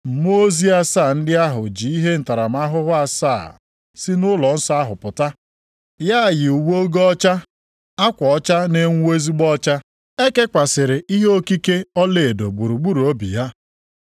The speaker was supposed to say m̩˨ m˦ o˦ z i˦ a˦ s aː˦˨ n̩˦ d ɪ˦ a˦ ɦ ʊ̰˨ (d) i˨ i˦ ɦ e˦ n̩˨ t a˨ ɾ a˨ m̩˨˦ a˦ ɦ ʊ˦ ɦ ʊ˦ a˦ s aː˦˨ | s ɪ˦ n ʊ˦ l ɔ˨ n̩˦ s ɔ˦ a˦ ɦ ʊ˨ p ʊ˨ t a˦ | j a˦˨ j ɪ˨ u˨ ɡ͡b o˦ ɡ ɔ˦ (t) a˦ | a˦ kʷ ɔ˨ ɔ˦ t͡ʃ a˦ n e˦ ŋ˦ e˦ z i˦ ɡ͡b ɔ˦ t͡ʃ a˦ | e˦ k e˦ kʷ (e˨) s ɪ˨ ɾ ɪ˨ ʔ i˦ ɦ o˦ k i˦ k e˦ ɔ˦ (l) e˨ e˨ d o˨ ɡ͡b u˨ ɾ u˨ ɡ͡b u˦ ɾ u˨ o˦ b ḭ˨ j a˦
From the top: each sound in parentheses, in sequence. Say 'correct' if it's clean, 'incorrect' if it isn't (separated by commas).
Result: incorrect, incorrect, incorrect, correct